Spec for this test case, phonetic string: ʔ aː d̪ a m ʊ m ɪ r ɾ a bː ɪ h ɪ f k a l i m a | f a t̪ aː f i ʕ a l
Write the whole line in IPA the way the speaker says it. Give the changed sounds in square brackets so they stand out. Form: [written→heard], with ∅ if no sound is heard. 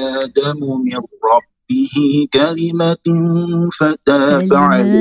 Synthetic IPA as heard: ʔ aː d̪ a m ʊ m ɪ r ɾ [a→ɑ] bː ɪ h ɪ [f→∅] k a l [i→ɪ] m a | f a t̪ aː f [i→a] ʕ a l